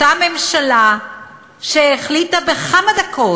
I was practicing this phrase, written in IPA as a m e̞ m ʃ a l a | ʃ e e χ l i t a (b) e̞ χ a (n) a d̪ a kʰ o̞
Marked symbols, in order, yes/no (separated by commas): yes, no